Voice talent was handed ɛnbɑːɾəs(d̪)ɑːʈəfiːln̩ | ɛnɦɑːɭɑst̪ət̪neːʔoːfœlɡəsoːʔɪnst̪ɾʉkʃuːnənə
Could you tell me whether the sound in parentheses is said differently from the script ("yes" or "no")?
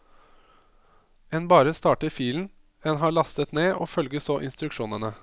yes